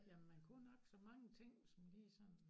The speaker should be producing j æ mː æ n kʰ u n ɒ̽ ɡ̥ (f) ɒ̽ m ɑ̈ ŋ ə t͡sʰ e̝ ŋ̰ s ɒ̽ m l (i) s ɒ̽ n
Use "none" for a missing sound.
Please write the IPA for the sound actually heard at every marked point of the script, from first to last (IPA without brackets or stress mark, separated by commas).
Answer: s, iː